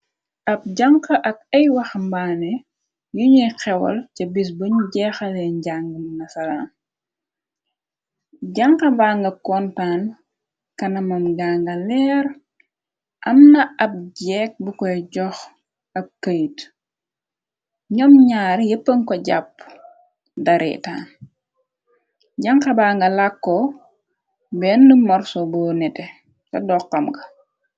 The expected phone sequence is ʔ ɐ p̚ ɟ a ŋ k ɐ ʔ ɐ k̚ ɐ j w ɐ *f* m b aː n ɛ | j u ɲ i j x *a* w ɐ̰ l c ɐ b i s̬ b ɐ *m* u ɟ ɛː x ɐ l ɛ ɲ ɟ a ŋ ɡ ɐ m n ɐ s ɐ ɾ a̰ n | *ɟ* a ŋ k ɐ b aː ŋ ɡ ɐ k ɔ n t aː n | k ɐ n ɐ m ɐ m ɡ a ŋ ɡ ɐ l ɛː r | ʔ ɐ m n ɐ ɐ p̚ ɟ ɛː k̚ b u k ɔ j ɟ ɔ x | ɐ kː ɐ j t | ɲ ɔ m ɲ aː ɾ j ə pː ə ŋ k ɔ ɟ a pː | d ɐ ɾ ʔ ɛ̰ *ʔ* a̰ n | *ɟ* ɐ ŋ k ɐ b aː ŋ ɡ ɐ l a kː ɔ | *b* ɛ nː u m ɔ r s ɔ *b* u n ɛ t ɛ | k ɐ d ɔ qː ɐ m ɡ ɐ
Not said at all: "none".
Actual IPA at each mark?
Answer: x, ɛ, ɲ, ɟ, t, ɟ, b, b

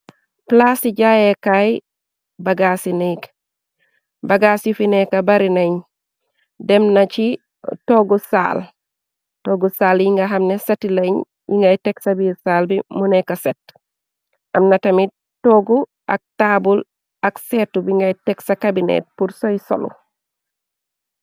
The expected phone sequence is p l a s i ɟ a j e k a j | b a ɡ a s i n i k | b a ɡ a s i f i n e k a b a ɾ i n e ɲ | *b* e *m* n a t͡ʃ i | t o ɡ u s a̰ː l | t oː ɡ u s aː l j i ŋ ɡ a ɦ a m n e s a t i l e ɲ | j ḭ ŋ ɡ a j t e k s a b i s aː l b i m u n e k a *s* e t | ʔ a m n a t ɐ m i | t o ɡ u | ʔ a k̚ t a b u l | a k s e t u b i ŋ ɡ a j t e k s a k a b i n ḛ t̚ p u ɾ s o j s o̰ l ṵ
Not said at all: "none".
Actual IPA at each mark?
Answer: d, m, s

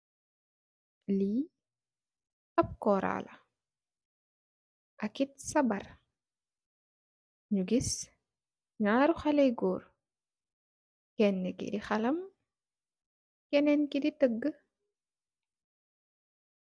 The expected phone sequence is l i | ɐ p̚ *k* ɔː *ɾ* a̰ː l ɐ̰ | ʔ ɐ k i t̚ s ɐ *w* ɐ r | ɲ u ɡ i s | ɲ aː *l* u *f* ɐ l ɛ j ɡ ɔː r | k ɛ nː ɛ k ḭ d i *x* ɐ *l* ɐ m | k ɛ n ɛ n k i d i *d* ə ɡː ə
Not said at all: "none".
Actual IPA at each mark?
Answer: k, ɾ, b, ɾ, x, x, l, t

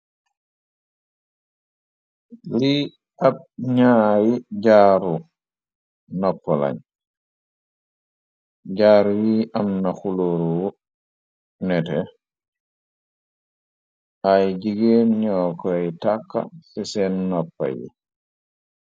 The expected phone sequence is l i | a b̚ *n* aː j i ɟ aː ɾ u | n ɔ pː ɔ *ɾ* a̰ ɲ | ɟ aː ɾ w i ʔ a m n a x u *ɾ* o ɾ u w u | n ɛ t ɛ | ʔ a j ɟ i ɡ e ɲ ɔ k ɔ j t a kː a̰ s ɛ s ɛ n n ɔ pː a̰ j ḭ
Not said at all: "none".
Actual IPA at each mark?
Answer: ɲ, l, l

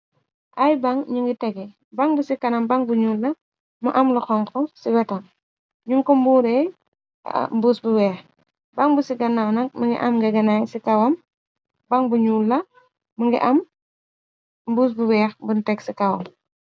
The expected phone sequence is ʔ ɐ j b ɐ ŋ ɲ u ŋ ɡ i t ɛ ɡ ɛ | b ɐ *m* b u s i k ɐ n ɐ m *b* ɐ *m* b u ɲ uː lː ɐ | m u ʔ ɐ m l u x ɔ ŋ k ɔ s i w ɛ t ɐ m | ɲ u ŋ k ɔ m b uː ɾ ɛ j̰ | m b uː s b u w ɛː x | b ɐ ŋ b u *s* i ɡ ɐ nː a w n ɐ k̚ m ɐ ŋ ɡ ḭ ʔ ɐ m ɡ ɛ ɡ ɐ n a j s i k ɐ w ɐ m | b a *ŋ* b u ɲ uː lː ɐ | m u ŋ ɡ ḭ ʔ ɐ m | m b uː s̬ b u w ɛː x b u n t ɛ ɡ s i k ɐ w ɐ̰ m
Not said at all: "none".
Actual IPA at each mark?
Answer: ŋ, b, ŋ, s, ŋ

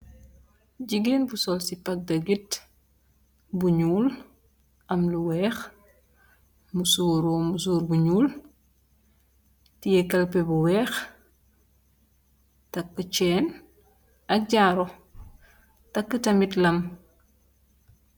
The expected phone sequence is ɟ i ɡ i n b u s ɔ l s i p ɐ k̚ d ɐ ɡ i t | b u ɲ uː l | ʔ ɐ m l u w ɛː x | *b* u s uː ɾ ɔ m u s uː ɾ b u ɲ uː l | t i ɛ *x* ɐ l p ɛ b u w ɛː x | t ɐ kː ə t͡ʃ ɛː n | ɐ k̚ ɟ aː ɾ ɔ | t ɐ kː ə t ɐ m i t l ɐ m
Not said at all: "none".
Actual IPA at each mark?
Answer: m, k

